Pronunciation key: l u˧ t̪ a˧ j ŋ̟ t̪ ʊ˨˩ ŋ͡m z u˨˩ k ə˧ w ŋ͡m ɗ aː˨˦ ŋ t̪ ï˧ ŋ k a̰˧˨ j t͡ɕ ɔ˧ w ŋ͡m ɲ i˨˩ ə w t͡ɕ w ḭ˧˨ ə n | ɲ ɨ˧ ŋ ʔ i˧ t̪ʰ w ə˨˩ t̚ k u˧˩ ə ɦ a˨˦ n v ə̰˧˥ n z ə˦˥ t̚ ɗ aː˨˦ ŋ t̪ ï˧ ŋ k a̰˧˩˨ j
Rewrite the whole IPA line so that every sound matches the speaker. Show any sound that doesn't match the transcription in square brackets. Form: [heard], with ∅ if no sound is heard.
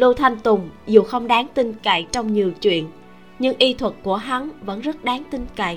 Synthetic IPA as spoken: l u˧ [t̪ʰ] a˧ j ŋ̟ t̪ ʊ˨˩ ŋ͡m z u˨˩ [x] ə˧ w ŋ͡m ɗ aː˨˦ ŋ t̪ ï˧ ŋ k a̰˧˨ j t͡ɕ ɔ˧ w ŋ͡m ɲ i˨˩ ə w t͡ɕ w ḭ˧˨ ə n | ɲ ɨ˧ ŋ ʔ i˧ t̪ʰ w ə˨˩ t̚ k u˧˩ ə ɦ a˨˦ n v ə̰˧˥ n z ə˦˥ t̚ ɗ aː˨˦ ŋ t̪ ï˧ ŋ k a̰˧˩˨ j